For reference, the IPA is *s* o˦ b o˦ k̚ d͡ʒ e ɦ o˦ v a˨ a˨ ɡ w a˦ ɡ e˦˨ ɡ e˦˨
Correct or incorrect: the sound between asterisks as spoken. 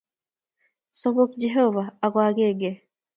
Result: correct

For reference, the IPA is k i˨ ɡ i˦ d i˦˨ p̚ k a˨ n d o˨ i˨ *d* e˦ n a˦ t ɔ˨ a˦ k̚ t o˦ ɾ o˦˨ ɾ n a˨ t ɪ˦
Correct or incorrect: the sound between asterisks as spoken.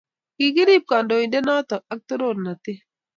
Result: correct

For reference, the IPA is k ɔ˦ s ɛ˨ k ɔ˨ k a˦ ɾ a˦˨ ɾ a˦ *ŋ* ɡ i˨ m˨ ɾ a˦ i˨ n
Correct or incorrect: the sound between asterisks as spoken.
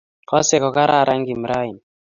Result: correct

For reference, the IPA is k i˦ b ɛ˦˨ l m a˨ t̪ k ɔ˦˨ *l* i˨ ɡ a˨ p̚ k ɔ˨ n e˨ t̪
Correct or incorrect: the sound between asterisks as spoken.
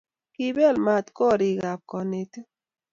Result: incorrect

